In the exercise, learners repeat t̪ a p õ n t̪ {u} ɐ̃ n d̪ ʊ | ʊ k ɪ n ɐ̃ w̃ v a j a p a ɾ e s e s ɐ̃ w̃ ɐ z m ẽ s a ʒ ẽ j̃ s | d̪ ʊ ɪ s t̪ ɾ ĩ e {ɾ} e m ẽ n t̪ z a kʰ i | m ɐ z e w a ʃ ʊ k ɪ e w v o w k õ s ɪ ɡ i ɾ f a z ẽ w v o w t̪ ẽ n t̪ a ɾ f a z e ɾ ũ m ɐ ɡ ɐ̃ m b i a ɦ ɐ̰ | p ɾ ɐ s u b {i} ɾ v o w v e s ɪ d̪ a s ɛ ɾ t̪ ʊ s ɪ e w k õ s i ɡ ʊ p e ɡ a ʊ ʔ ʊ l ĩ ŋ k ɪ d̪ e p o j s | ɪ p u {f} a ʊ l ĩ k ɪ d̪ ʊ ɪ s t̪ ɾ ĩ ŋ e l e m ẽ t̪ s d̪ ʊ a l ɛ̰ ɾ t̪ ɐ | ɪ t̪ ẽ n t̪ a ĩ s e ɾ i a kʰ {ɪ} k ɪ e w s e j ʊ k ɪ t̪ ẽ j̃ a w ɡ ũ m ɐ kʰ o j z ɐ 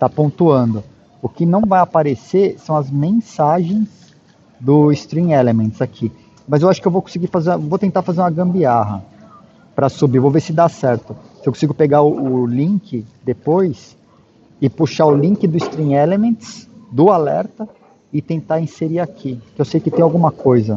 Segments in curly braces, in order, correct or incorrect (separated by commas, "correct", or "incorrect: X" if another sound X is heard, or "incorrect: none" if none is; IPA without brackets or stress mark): correct, incorrect: l, correct, incorrect: ʃ, incorrect: i